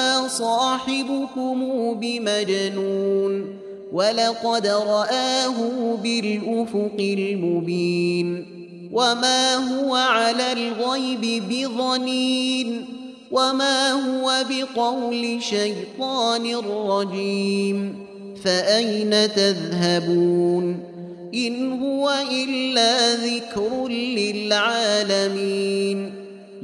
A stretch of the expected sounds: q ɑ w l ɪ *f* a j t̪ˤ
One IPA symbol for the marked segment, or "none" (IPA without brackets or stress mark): ʃ